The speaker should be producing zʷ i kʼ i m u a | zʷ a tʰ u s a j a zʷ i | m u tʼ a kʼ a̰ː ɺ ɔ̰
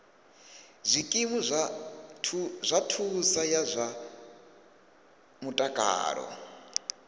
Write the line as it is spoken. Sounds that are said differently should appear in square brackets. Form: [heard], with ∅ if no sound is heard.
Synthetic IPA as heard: zʷ i kʼ i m u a | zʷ a tʰ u s a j a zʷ [a] | m u tʼ a kʼ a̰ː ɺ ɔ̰